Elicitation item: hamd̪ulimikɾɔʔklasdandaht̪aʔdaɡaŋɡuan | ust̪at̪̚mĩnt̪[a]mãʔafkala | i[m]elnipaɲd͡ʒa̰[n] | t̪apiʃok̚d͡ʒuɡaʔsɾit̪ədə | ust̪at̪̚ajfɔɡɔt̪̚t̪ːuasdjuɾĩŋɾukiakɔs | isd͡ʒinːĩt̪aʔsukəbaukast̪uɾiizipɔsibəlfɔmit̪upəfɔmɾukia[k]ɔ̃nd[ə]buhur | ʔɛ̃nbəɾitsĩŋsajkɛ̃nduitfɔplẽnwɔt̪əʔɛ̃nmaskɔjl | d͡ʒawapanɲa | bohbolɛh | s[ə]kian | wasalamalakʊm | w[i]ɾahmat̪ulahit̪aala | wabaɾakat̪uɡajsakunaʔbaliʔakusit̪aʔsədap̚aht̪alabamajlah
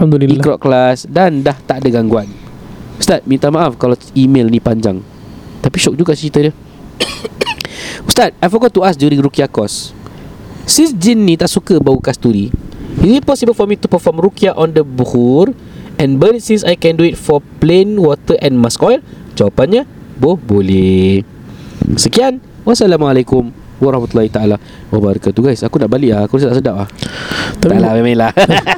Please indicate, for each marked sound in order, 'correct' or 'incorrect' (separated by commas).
correct, correct, incorrect, incorrect, correct, correct, incorrect